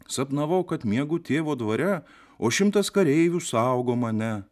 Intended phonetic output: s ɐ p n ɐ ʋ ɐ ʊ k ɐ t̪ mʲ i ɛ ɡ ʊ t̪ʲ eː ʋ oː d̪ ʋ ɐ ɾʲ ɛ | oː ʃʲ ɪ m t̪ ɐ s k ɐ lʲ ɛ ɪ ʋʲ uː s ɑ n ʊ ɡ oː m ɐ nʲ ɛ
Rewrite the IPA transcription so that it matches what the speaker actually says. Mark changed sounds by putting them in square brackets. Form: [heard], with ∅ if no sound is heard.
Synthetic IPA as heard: s ɐ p n ɐ ʋ ɐ ʊ k ɐ t̪ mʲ i ɛ ɡ ʊ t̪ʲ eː ʋ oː d̪ ʋ ɐ ɾʲ ɛ | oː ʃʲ ɪ m t̪ ɐ s k ɐ [ɾʲ] ɛ ɪ ʋʲ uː s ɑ [∅] ʊ ɡ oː m ɐ nʲ ɛ